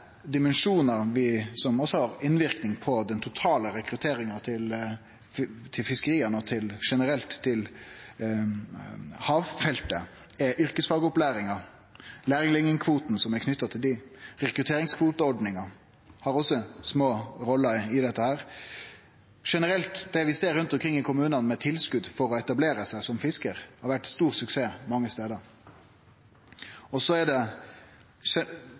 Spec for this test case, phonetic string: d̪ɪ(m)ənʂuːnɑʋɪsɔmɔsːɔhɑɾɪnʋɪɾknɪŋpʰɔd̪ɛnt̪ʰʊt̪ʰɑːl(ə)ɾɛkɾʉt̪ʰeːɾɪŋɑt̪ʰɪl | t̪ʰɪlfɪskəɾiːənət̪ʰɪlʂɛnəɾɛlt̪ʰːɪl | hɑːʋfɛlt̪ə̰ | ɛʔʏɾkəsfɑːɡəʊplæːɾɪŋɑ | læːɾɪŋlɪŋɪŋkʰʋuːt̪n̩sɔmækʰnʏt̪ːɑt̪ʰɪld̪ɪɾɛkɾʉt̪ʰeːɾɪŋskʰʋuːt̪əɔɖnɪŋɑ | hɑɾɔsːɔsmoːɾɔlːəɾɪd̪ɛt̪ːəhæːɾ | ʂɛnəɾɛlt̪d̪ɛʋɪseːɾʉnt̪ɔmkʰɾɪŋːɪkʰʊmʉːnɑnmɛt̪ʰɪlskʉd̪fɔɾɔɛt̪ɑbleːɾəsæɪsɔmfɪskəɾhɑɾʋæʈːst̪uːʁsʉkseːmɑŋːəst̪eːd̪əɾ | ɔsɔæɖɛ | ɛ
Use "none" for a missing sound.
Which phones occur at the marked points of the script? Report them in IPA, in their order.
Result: m, ə

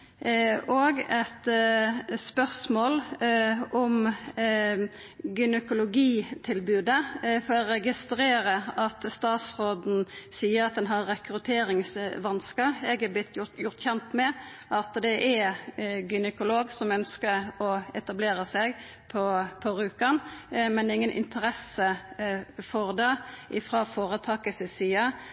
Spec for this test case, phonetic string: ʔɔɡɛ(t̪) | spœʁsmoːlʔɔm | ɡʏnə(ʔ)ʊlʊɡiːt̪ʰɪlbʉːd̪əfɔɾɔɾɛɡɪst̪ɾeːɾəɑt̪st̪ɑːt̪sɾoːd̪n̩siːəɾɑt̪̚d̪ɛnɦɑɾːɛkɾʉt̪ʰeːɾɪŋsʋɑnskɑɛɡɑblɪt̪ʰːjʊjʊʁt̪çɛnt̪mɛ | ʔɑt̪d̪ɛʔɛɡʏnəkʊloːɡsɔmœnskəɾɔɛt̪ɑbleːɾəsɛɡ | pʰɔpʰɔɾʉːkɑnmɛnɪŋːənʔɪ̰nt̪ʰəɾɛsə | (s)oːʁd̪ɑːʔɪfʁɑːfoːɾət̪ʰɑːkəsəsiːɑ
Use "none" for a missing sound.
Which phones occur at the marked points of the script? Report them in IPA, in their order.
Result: t̪, k, f

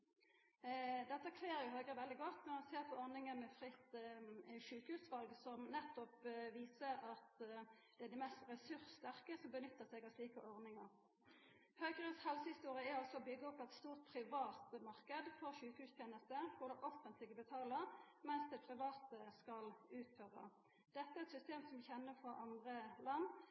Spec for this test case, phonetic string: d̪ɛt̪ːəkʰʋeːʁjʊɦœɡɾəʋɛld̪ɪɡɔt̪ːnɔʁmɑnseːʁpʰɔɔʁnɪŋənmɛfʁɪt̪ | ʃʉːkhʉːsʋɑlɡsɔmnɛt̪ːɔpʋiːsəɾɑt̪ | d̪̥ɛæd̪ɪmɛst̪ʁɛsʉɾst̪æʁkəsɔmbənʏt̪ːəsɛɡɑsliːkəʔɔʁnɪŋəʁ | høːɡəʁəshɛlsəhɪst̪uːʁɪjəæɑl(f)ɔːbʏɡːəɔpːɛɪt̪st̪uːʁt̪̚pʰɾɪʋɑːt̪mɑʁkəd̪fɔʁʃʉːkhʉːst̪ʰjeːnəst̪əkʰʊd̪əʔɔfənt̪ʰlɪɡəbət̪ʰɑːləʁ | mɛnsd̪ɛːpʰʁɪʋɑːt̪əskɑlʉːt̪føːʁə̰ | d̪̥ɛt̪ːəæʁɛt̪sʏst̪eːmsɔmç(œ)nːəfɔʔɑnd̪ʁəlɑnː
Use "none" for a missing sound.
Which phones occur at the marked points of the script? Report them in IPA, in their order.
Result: s, ɛ

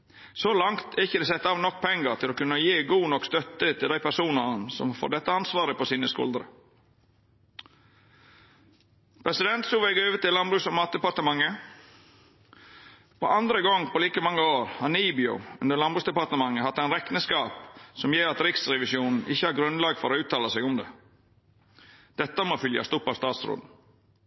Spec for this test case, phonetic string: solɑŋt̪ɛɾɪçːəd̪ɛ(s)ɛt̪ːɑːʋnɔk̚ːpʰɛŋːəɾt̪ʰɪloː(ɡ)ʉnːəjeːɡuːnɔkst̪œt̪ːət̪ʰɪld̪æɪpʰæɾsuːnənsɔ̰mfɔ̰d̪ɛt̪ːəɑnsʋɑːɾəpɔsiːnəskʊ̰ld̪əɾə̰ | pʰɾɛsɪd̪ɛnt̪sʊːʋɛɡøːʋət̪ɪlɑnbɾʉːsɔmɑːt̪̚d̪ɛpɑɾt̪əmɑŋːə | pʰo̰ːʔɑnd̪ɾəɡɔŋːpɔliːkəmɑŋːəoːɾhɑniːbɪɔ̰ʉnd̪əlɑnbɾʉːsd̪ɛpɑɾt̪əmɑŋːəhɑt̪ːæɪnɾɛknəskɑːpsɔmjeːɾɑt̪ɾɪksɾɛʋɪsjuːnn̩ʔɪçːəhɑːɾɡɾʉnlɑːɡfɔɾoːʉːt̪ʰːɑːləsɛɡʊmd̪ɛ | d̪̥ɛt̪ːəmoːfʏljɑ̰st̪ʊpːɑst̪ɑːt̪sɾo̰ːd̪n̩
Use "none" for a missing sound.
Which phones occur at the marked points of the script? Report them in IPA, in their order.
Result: s, k

